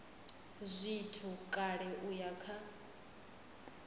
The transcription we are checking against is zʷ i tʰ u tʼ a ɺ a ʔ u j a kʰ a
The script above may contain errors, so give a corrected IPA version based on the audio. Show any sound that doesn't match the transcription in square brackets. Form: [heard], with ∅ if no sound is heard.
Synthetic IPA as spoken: zʷ i tʰ u [kʼ] a ɺ [ɛ] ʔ u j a kʰ a